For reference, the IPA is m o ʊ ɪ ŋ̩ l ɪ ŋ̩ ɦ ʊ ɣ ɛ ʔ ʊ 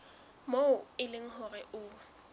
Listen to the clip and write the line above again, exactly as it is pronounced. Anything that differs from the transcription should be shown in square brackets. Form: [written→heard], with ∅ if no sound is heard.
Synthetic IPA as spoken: m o ʊ ɪ [ŋ̩→∅] l ɪ ŋ̩ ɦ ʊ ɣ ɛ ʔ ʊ